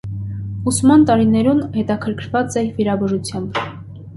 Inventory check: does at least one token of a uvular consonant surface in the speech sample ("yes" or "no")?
no